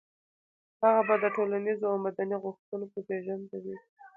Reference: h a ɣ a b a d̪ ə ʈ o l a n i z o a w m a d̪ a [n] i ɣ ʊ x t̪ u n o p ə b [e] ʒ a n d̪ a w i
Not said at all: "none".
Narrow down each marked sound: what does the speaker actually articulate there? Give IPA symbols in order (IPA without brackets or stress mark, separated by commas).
n, e